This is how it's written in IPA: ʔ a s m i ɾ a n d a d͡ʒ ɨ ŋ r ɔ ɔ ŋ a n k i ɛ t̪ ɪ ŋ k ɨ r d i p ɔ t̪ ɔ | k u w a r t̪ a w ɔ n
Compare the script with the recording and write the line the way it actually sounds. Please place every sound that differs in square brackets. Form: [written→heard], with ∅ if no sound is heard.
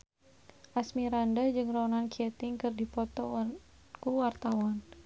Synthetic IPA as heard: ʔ a s m i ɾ a n d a d͡ʒ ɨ ŋ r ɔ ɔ [ŋ→n] a n k i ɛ t̪ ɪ ŋ k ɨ r d i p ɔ t̪ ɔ | k u w a r t̪ a w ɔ n